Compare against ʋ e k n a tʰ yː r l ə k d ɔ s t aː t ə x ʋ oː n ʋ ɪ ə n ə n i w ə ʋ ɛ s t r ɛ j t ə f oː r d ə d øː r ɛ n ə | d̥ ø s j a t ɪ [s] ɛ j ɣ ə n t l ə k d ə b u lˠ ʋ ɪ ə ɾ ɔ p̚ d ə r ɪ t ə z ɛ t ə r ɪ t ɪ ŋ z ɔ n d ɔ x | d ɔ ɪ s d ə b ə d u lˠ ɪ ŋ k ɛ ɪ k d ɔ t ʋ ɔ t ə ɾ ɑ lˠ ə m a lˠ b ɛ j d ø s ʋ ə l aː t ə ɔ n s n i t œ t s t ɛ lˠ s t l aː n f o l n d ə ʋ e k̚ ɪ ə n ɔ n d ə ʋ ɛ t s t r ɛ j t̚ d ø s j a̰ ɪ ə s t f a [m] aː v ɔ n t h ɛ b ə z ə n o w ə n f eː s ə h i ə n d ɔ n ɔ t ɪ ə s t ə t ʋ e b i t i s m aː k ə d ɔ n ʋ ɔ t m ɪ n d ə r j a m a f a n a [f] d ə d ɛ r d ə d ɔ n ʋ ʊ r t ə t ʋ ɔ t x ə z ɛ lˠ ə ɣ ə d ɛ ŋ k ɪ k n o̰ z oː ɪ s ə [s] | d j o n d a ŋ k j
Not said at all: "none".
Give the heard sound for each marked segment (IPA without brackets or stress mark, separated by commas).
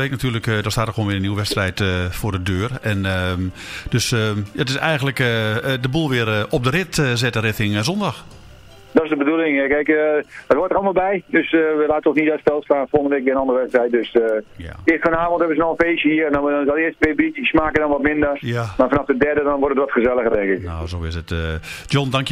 s, n, f, t